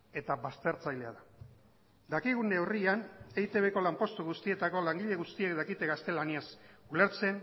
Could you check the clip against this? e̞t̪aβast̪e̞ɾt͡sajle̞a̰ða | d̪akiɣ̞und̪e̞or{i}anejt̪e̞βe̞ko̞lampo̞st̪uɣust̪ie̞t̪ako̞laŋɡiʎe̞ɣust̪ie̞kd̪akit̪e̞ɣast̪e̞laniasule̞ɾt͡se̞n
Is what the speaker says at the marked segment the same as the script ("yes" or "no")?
yes